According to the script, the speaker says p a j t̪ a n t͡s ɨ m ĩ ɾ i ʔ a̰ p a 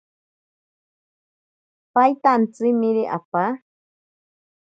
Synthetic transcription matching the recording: p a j t̪ a n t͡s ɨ m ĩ ɾ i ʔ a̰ p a